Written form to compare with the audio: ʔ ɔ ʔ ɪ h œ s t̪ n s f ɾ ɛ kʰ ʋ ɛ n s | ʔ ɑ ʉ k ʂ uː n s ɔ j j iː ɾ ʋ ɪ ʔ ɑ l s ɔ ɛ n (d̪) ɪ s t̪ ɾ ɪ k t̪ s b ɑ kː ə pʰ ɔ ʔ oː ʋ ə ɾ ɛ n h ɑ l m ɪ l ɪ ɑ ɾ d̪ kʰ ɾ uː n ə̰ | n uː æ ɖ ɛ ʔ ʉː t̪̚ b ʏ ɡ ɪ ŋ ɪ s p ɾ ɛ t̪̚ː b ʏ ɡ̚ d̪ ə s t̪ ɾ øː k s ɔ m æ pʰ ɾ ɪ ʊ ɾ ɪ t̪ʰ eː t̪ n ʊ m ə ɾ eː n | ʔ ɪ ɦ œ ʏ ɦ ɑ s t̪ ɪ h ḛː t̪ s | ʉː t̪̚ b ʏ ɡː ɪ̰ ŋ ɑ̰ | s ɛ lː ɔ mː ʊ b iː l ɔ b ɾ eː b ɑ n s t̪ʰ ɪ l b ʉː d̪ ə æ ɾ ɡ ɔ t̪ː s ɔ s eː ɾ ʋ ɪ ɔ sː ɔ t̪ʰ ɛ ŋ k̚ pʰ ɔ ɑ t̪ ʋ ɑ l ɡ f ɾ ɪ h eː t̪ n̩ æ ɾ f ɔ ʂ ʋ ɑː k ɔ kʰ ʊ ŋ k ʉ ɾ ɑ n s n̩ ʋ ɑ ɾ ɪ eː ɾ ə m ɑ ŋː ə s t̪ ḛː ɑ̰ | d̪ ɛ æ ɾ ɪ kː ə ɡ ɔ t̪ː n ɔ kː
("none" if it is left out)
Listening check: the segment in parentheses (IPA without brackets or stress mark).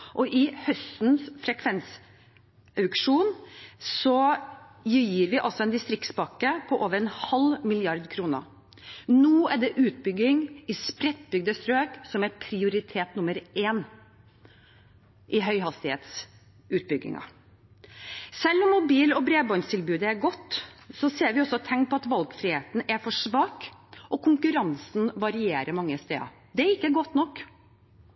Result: d̪